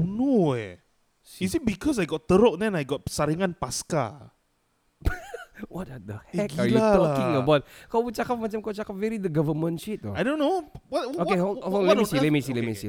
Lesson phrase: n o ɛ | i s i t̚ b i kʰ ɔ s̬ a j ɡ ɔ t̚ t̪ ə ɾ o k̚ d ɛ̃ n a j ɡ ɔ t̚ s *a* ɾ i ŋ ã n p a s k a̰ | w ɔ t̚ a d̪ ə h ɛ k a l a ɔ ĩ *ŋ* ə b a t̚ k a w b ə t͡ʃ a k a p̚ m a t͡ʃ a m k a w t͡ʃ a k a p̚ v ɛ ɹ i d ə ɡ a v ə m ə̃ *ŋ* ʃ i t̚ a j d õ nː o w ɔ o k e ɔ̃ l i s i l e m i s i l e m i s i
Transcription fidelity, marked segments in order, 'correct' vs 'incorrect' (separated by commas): correct, correct, incorrect